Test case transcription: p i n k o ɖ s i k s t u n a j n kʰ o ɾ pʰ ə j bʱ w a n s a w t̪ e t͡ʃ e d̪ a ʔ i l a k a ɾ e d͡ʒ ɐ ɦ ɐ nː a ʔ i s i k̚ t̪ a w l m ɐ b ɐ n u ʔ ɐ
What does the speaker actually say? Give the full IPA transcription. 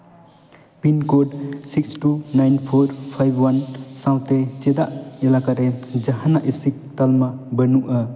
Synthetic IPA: p i n k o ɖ s i k s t u n a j n pʰ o ɾ pʰ a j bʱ w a n s a w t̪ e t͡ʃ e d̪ a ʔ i l a k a ɾ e d͡ʒ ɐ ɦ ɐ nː a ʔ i s i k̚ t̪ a l m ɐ b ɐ n u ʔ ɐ